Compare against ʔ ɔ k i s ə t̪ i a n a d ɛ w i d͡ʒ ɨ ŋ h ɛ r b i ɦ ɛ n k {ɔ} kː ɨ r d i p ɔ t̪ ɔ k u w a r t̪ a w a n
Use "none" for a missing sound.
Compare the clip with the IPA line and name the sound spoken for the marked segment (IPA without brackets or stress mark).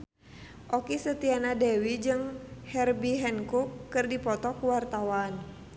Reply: u